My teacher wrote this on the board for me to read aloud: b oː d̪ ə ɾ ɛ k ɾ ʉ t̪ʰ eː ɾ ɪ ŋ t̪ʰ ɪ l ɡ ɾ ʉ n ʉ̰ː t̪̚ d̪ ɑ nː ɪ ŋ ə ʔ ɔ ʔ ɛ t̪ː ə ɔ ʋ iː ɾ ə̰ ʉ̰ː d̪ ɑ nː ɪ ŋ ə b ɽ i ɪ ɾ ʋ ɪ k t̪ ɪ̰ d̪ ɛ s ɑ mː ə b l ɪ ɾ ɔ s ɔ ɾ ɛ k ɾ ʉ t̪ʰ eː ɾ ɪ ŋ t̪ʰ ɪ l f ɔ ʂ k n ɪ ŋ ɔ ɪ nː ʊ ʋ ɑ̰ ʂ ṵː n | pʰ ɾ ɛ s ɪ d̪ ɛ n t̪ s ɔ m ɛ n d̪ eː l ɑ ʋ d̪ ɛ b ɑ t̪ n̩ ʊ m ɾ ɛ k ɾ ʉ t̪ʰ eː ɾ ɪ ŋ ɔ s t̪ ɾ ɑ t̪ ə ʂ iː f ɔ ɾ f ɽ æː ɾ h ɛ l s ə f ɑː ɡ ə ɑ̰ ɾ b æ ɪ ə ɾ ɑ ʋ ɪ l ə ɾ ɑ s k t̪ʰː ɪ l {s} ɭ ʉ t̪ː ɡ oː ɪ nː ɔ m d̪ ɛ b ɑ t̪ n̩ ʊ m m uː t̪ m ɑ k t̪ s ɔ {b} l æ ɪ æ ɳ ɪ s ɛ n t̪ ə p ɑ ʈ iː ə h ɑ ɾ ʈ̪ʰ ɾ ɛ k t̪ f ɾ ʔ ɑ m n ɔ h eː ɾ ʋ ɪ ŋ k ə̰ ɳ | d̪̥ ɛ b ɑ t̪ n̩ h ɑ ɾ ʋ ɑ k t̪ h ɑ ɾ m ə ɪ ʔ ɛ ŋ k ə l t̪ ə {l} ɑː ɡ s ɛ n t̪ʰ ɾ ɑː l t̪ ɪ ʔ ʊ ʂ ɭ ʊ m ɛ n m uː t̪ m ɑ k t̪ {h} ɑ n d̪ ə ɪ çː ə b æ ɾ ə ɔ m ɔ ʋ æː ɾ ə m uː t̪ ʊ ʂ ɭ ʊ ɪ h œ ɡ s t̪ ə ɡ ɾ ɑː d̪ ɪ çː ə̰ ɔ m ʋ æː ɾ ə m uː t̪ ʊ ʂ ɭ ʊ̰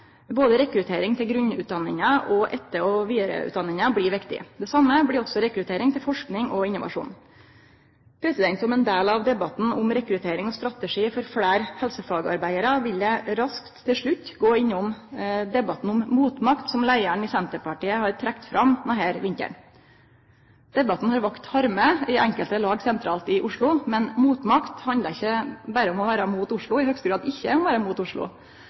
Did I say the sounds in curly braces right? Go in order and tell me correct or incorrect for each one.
incorrect: ʂ, incorrect: m, correct, correct

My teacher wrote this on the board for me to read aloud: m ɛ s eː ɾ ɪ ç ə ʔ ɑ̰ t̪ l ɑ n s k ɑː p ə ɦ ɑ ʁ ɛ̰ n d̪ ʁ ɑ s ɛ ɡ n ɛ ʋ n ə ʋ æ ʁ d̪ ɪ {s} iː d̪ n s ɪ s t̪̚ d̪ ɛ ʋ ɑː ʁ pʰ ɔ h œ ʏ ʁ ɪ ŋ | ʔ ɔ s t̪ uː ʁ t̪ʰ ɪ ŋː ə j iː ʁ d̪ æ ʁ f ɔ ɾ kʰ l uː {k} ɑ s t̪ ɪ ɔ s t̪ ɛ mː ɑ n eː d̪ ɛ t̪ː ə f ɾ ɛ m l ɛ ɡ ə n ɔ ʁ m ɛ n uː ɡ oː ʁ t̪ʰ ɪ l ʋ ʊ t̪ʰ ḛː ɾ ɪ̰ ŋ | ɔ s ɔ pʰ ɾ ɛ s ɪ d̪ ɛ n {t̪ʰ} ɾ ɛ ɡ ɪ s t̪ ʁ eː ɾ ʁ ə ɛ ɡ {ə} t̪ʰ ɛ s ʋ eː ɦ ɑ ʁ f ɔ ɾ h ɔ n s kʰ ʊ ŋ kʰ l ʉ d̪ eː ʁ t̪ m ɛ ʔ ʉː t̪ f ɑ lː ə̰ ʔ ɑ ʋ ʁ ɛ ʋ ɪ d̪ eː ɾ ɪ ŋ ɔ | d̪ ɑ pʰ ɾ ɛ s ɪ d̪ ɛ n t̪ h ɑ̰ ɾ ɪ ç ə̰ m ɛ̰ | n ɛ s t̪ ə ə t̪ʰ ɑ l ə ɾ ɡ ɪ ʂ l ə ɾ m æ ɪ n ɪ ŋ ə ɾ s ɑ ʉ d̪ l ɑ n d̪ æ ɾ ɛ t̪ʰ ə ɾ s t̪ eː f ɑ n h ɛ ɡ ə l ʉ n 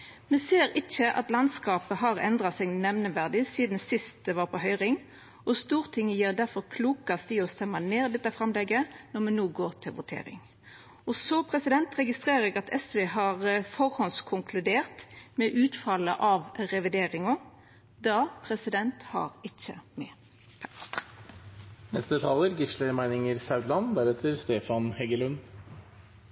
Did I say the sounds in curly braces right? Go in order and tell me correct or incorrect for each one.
correct, correct, incorrect: t̪, incorrect: ɑ

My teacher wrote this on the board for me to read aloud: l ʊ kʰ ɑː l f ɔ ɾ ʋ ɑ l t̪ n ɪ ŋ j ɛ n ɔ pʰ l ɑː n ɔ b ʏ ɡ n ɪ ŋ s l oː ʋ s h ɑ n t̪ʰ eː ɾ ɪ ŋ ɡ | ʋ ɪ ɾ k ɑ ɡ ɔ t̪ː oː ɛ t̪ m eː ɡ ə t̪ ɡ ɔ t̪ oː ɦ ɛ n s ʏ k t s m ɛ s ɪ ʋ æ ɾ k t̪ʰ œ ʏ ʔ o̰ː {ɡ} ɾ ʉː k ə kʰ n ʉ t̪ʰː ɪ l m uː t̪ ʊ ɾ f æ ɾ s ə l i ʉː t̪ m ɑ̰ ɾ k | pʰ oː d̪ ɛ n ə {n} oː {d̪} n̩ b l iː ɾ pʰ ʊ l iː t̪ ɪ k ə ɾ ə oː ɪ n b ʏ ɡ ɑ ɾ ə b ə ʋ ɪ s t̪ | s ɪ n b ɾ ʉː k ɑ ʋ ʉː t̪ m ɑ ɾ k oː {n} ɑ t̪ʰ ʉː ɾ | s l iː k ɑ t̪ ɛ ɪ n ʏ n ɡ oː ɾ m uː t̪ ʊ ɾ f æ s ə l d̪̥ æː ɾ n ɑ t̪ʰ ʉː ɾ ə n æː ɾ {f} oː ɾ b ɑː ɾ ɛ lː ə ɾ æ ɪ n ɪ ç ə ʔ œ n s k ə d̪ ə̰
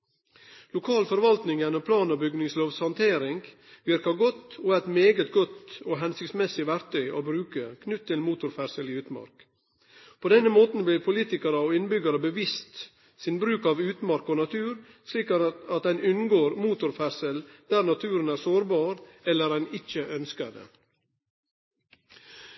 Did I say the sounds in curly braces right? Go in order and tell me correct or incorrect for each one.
incorrect: b, incorrect: m, incorrect: t̪, correct, incorrect: s

